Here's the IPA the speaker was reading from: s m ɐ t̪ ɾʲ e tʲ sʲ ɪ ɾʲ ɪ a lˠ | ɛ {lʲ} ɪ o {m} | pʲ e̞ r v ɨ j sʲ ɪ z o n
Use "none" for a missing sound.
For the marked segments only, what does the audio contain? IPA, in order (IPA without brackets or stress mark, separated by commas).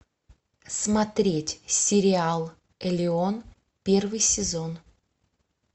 lʲ, n